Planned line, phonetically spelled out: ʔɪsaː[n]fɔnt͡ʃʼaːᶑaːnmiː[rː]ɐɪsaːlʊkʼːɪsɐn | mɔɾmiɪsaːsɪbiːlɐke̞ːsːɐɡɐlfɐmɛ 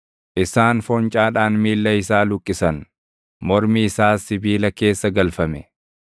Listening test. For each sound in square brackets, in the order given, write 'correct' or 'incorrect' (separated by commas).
correct, incorrect